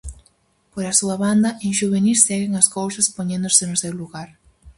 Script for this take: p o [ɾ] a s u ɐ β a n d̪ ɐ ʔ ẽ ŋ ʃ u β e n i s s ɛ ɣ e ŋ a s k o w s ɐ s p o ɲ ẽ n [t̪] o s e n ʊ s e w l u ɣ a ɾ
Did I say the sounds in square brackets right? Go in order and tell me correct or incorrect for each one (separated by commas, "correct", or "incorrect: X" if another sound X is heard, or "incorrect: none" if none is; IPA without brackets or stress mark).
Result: correct, incorrect: d̪